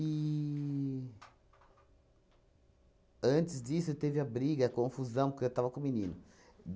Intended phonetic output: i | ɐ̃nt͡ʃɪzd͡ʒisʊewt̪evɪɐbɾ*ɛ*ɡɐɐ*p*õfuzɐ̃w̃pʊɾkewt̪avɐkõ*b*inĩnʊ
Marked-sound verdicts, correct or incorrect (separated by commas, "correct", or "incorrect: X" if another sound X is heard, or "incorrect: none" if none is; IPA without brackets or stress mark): incorrect: i, incorrect: k, incorrect: m